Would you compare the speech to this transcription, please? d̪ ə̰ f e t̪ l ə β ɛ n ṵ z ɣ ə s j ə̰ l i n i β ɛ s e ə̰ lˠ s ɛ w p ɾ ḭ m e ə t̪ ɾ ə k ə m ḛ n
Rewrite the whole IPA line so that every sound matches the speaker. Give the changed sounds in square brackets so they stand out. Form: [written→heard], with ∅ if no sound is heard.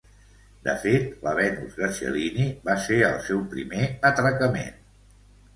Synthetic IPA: d̪ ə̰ f e t̪ l ə β ɛ n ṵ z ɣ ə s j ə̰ l i n i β [ɛ→a] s e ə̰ lˠ s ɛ w p ɾ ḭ m e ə t̪ ɾ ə k ə m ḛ n